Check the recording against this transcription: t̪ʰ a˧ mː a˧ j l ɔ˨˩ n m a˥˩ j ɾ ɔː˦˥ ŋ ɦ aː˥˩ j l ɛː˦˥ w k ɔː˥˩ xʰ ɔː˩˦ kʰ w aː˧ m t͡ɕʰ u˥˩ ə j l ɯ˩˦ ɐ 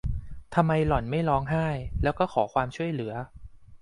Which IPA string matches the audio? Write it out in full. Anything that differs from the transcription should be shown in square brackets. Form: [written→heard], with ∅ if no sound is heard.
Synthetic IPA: t̪ʰ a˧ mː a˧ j l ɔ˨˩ n m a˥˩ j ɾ ɔː˦˥ ŋ ɦ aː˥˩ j l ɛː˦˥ w k ɔː˥˩ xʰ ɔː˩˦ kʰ w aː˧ m t͡ɕʰ u˥˩ ə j l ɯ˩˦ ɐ